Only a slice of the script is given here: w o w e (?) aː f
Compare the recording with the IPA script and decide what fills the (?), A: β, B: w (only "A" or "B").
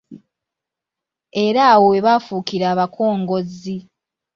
A